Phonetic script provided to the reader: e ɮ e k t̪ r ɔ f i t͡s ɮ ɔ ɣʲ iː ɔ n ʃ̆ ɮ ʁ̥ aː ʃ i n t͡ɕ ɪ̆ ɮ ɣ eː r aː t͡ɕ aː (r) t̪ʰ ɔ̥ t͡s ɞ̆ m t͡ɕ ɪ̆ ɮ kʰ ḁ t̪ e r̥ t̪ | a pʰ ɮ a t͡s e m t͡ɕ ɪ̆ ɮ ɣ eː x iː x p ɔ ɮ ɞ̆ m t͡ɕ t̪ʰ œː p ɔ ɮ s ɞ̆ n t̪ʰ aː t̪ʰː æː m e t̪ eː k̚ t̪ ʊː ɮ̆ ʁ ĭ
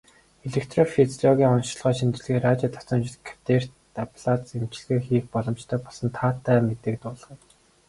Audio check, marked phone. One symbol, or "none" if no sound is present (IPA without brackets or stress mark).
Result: none